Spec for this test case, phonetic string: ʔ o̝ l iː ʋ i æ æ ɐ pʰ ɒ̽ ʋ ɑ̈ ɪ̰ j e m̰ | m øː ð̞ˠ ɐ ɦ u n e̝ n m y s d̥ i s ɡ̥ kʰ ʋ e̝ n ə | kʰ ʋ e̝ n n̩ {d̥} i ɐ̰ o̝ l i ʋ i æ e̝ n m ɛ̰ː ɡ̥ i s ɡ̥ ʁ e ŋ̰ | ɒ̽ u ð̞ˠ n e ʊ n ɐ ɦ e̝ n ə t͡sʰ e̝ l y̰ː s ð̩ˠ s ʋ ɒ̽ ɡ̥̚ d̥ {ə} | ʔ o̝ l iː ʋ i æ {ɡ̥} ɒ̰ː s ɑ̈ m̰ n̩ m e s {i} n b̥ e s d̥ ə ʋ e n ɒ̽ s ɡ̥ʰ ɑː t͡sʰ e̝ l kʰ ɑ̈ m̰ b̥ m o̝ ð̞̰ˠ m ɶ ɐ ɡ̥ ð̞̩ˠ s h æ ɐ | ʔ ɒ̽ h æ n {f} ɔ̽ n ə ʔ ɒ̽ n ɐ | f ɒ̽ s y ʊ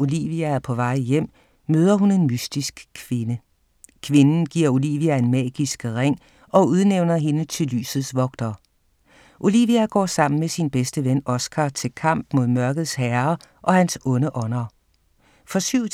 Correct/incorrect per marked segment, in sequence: incorrect, incorrect, correct, correct, incorrect

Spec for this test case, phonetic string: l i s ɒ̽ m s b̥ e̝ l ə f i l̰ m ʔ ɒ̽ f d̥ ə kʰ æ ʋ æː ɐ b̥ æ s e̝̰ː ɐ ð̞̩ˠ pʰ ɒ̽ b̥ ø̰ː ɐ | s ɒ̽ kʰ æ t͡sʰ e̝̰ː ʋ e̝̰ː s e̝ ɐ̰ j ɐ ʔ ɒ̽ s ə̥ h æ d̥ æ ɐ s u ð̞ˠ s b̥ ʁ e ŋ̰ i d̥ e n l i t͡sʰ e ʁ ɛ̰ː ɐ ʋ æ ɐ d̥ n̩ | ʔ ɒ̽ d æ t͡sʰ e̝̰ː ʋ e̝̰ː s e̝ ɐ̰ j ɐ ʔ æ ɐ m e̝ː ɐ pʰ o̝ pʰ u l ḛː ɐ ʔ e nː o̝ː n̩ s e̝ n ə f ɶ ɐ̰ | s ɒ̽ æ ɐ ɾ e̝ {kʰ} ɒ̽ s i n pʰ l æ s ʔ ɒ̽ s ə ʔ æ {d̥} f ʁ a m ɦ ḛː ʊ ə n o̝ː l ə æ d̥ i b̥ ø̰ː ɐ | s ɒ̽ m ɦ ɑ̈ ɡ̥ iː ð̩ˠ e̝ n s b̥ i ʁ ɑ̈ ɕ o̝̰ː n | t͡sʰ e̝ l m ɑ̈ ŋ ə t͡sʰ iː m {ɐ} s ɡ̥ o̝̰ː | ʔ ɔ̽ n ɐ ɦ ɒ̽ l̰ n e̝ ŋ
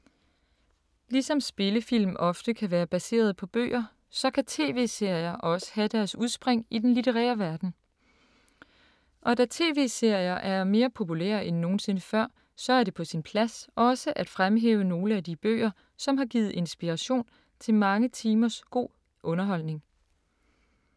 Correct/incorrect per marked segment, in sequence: incorrect, correct, correct

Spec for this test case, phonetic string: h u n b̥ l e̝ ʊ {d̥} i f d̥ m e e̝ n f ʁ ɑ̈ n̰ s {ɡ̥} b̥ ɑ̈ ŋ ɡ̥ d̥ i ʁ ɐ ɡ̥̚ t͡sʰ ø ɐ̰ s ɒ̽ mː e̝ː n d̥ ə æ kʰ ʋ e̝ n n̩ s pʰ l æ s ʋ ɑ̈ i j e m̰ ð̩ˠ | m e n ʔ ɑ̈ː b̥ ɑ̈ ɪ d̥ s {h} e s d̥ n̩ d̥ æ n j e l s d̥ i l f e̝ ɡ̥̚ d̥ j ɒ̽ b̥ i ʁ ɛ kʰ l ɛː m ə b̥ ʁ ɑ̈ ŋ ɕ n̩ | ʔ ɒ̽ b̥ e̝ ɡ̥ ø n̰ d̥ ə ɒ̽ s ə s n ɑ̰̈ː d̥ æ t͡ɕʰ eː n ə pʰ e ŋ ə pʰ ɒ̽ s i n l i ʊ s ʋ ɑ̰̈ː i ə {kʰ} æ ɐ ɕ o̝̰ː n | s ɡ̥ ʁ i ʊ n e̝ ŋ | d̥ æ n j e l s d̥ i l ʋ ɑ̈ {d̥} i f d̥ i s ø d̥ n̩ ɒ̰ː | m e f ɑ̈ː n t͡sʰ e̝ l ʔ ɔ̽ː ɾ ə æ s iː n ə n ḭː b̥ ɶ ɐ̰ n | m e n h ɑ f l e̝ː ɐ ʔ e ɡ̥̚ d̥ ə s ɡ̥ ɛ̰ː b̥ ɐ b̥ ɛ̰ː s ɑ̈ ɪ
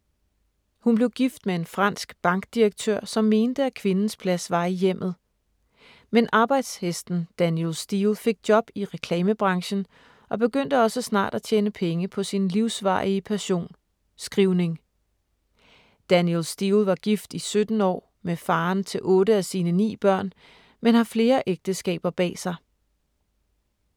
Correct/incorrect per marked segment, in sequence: incorrect, correct, correct, incorrect, incorrect

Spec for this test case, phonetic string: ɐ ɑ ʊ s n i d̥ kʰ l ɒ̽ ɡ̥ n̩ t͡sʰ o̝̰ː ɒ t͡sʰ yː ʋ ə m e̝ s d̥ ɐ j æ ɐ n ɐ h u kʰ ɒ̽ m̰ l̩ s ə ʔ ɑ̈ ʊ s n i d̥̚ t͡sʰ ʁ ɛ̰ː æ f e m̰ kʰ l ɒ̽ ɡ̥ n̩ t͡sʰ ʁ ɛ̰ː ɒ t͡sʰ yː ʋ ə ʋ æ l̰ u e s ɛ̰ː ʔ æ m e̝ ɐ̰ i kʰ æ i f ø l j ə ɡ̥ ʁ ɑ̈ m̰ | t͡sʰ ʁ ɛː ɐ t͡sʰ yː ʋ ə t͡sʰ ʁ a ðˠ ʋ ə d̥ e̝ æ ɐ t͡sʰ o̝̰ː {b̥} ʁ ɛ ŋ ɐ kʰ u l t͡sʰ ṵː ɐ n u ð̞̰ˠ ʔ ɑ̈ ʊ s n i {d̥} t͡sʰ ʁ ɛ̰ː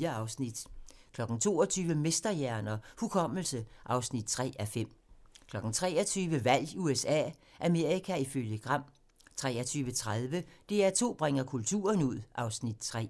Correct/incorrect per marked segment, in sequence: correct, correct

